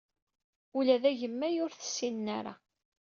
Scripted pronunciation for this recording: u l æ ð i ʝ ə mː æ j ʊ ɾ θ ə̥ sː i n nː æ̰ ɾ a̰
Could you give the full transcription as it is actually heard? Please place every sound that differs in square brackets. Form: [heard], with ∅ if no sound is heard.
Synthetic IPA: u l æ ð [æ] ʝ ə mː æ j ʊ ɾ θ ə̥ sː i n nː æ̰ ɾ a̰